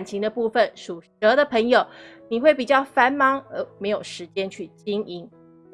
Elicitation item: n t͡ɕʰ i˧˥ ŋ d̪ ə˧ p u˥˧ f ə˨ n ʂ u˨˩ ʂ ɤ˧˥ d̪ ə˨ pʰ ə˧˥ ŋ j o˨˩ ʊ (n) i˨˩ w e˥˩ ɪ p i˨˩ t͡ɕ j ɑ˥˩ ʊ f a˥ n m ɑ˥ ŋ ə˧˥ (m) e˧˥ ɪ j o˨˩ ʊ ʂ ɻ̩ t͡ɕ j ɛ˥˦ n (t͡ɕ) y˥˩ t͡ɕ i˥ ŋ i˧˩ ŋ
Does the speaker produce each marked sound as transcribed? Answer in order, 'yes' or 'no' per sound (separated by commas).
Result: yes, yes, no